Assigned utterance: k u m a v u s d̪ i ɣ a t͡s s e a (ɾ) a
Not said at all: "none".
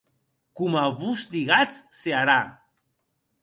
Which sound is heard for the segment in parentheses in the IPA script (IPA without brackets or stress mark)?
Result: ɾ